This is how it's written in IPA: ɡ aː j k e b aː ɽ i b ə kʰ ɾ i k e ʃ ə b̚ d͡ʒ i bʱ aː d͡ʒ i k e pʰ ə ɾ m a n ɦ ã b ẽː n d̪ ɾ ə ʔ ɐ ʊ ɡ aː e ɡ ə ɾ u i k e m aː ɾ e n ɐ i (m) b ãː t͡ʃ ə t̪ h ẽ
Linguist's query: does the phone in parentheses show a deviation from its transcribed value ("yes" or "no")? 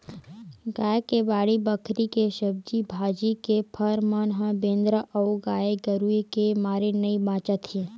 yes